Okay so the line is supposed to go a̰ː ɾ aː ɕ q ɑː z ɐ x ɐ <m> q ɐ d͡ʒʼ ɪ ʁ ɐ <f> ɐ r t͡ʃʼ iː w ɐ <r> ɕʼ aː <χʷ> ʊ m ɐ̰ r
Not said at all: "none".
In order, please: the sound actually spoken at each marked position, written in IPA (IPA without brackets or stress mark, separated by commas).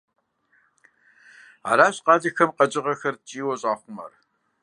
m, x, none, χʷ